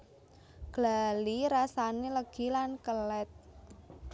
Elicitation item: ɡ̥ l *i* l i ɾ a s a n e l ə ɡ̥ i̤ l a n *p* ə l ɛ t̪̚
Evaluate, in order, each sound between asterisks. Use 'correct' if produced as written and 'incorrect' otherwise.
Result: incorrect, incorrect

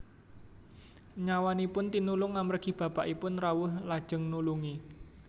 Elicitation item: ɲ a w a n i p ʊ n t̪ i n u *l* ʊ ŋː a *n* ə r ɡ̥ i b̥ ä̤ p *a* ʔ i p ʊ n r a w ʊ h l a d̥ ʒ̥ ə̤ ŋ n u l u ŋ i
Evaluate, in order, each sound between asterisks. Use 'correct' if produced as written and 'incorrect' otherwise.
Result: correct, incorrect, correct

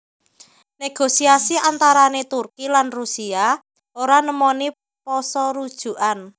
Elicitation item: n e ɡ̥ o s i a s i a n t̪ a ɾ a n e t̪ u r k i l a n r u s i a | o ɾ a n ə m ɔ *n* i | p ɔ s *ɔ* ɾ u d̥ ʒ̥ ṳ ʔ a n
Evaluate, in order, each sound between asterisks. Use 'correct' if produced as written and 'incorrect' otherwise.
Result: correct, correct

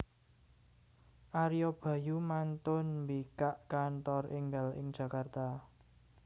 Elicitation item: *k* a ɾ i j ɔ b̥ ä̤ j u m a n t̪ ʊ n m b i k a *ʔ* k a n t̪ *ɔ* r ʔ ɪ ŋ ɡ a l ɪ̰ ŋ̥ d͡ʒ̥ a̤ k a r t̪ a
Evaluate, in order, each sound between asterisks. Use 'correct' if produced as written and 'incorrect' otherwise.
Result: incorrect, correct, correct

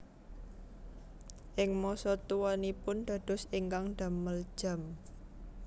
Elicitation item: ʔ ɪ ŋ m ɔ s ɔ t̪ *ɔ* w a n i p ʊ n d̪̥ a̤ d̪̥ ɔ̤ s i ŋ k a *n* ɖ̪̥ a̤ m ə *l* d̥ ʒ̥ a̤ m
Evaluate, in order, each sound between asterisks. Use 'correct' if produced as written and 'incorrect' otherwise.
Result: incorrect, incorrect, correct

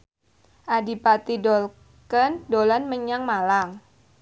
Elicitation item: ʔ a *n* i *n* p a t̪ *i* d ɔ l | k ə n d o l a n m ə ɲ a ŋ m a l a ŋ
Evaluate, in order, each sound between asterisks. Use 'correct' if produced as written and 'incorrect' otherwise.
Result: incorrect, incorrect, correct

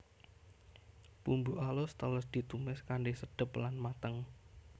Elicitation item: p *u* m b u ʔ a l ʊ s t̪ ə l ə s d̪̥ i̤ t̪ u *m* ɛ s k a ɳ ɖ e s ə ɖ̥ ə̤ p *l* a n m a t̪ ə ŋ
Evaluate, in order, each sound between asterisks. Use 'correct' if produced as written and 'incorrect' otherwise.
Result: correct, correct, correct

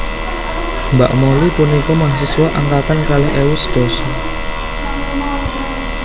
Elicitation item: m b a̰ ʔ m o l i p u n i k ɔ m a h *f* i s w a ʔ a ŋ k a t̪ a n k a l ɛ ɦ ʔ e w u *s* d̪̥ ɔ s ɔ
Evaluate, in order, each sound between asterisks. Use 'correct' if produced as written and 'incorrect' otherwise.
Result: incorrect, correct

